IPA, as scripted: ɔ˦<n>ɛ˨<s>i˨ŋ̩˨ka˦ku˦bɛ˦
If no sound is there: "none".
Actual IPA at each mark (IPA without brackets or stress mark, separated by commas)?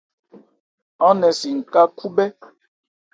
n, s